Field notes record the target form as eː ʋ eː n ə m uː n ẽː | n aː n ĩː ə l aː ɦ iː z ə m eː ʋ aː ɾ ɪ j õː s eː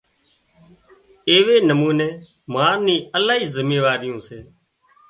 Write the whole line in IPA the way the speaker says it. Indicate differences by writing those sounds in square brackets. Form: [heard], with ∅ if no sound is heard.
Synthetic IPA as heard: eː ʋ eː n ə m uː n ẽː | [m] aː n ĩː ə l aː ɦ iː z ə m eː ʋ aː ɾ ɪ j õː s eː